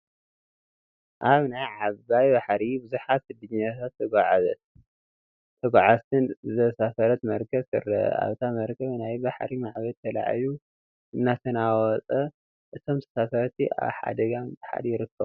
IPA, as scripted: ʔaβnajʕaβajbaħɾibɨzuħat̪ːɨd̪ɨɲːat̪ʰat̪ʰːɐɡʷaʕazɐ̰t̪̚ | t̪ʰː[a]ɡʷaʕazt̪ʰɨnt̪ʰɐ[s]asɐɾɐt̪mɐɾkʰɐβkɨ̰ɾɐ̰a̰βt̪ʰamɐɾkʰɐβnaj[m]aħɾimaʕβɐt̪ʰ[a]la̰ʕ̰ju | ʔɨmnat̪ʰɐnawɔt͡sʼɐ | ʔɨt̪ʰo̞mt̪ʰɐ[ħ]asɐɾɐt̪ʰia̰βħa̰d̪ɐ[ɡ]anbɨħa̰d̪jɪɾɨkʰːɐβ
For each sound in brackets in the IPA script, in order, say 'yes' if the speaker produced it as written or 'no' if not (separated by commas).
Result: no, yes, no, no, no, yes